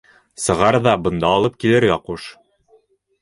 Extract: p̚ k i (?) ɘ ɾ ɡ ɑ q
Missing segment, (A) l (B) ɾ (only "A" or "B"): A